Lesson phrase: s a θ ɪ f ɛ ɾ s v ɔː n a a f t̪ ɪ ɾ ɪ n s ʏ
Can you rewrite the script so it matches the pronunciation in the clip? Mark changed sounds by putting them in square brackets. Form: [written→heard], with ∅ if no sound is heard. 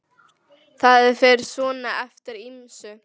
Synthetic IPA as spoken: [s→θ] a [θ→ð] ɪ f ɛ ɾ s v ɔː n a [a→ɛ] f t̪ ɪ ɾ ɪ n s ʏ